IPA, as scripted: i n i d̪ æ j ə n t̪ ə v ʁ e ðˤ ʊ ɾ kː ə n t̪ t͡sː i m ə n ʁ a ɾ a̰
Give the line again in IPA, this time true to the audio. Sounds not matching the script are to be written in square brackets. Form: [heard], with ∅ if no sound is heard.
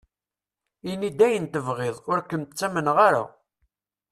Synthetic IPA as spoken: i n i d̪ æ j ə n t̪ ə v ʁ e ðˤ ʊ ɾ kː ə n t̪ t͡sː [æ] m ə n ʁ a ɾ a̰

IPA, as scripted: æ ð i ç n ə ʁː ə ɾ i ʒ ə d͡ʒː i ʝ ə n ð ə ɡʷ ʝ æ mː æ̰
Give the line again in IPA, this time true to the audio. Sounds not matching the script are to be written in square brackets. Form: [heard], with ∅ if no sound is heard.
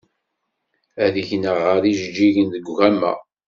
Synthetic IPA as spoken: æ ð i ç n ə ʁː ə ɾ i ʒ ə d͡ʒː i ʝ ə n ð ə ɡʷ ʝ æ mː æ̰

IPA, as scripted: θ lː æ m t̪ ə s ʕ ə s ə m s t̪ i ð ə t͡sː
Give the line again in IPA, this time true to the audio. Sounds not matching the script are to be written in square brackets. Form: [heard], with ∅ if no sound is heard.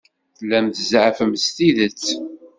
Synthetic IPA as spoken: θ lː æ m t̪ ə [z] ʕ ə [f] ə m s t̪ i ð ə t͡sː

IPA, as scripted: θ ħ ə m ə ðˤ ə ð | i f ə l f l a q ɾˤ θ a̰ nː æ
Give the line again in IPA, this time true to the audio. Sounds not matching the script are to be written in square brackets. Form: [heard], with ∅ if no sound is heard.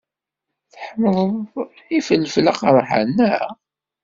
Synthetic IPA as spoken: θ ħ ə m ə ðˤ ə ð | i f ə l f l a q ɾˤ [ħ] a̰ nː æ

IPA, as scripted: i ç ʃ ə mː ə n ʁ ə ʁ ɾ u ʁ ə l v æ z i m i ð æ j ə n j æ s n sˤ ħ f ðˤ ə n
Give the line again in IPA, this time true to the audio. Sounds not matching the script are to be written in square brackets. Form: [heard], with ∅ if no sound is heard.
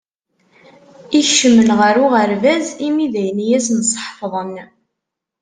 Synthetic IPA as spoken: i ç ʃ ə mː ə n ʁ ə [∅] ɾ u ʁ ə [ɾ] v æ z i m i ð æ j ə n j æ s n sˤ ħ f ðˤ ə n

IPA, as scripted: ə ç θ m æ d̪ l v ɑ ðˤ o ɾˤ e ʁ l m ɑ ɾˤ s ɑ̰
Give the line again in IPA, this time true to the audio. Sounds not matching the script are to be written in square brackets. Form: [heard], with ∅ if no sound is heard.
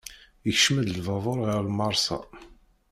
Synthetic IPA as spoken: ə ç [ʃ] m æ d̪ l v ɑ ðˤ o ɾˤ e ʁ l m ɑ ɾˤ s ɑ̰

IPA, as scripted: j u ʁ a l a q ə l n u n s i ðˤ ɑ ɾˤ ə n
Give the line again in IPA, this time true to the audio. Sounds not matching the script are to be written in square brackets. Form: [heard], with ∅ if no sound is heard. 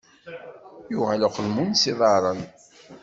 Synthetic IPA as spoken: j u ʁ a l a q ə l [m] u n s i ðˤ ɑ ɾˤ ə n

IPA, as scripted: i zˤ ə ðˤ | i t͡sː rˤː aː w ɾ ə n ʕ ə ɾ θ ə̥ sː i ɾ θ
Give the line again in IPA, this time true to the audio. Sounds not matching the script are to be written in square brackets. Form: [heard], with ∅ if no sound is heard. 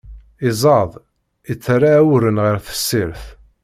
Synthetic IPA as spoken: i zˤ [ɑ] ðˤ | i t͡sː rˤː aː w ɾ ə n [ʁ] ə ɾ θ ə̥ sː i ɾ θ

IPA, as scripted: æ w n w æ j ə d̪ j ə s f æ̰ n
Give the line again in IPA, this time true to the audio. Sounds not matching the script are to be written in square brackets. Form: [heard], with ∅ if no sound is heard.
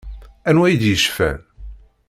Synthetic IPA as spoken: æ [∅] n w æ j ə d̪ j ə [ʃ] f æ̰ n

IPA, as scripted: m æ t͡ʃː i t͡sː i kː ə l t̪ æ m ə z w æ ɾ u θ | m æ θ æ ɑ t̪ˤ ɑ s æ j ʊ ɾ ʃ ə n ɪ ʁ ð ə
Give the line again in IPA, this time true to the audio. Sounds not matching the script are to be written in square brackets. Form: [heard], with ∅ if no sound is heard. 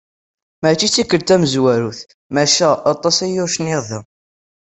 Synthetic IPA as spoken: m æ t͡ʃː i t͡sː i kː ə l t̪ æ m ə z w æ ɾ u θ | m æ [ʃ] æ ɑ t̪ˤ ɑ s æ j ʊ ɾ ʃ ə n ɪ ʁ ð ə

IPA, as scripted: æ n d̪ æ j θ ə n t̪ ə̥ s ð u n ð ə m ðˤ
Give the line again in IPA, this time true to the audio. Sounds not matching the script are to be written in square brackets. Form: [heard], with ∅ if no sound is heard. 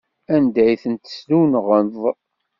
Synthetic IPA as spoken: æ n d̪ æ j θ ə n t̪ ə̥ s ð u n [ʁ] ə [n] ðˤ

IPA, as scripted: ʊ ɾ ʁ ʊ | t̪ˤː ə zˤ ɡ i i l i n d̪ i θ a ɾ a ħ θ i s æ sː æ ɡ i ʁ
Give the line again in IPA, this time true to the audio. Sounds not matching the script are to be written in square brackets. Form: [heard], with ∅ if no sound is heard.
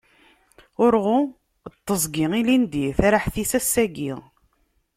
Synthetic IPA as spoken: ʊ ɾ ʁ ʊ | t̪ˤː ə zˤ ɡ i i l i n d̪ i θ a ɾ a ħ θ i s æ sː æ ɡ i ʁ

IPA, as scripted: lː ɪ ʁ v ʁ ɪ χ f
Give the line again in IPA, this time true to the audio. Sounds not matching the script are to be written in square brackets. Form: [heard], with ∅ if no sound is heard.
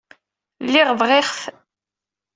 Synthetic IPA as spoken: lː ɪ ʁ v ʁ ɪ χ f

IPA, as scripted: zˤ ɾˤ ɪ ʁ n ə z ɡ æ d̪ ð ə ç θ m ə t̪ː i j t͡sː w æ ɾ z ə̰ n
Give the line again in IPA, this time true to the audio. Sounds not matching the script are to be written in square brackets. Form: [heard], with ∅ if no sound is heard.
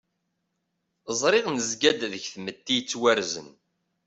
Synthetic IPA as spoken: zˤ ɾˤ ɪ ʁ n ə z ɡ æ d̪ ð ə ç θ m ə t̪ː i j t͡sː w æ ɾ z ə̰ n

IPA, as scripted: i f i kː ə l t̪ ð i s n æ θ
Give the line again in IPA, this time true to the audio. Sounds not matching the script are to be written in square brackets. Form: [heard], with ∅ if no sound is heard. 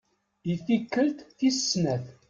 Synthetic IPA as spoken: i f i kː ə l t̪ [θ] i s n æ θ

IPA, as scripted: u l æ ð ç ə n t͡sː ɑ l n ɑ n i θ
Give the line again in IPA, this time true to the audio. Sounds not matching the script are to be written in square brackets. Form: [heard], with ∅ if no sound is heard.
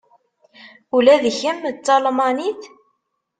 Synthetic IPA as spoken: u l æ ð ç ə [m] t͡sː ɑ l [m] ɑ n i θ

